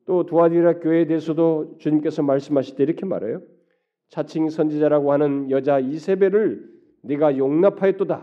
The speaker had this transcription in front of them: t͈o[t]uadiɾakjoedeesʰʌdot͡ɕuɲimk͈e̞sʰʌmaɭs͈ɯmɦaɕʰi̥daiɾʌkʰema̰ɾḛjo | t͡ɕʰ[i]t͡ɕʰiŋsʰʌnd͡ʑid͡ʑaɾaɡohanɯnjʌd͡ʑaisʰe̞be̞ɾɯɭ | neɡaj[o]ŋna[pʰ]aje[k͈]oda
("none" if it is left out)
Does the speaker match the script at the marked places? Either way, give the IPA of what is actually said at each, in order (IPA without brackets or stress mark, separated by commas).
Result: t, a, o, pʰ, t͈